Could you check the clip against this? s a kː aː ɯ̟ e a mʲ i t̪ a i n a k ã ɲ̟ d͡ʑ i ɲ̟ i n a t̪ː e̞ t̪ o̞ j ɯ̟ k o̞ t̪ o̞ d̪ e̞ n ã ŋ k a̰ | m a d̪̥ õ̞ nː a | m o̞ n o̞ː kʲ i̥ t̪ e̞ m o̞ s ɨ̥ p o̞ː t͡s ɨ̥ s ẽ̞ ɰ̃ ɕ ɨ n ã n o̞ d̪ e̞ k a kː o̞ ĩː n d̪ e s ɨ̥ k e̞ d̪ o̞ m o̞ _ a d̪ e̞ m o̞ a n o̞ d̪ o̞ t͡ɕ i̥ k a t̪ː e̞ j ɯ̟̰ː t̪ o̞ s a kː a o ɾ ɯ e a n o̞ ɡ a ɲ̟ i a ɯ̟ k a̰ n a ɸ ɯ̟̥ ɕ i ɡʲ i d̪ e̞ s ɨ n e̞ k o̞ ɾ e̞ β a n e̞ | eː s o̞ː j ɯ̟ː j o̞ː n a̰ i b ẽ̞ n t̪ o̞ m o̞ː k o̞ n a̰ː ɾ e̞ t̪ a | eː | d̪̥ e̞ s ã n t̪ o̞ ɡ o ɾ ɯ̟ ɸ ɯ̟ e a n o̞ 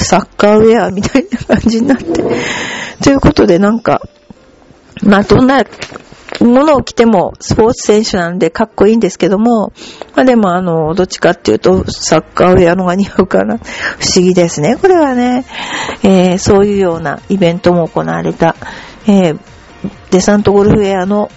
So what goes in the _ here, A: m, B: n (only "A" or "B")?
A